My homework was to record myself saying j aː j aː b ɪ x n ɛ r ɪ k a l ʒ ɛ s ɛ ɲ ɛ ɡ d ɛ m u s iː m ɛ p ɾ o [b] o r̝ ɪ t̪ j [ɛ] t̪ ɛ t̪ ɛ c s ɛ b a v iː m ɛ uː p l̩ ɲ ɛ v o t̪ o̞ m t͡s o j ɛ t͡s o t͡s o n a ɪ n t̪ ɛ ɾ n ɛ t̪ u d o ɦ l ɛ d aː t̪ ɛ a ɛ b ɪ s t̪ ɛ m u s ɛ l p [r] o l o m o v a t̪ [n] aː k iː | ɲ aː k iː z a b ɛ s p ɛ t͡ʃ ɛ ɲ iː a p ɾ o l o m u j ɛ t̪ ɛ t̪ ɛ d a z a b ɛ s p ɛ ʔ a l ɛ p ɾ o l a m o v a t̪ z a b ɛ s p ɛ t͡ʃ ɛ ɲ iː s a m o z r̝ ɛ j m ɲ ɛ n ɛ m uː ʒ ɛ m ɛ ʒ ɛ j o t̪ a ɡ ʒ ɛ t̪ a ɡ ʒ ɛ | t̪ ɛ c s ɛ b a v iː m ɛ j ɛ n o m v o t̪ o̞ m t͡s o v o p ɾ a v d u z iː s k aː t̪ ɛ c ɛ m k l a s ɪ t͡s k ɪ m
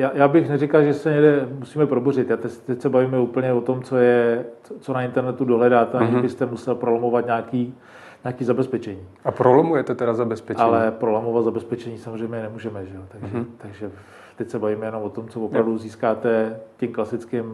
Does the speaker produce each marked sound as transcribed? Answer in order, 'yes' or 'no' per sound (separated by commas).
yes, no, no, no